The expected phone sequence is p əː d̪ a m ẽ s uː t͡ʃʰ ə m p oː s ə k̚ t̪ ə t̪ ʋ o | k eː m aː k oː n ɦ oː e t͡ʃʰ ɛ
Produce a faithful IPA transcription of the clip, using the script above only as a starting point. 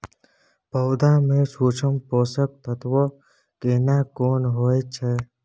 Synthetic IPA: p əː d̪ a m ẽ s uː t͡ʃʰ ə m p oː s ə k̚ t̪ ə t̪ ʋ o | k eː n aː k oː n ɦ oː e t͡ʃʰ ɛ